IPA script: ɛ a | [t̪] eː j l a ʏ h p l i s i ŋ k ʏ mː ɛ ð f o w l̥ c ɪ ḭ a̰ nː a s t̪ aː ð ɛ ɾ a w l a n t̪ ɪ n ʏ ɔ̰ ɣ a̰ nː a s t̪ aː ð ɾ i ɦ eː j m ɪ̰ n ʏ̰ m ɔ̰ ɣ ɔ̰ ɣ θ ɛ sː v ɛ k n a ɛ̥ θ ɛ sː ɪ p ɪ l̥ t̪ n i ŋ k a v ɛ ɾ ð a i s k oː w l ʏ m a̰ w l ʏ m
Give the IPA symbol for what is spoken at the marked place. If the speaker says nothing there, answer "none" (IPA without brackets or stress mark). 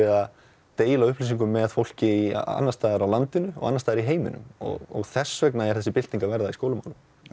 t̪